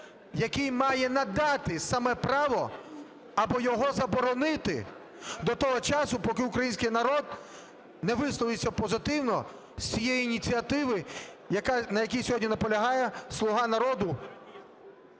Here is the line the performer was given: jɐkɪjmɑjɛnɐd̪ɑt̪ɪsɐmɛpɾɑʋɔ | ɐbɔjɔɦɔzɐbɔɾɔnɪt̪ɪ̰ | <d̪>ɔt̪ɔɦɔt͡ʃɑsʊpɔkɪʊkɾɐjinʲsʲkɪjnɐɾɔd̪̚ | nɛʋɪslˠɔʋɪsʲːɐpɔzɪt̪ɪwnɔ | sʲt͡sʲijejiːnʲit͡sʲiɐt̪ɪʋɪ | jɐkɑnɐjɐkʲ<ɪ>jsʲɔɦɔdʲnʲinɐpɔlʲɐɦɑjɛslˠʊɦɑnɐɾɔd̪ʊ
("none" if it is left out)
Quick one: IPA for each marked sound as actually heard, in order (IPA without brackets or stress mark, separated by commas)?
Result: d̪, i